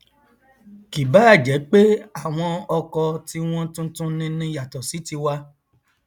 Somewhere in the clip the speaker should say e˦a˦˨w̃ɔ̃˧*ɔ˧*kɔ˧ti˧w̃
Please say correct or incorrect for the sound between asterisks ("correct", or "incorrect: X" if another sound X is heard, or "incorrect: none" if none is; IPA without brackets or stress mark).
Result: correct